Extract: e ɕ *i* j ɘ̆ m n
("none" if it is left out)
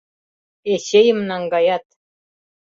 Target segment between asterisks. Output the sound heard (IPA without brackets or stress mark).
e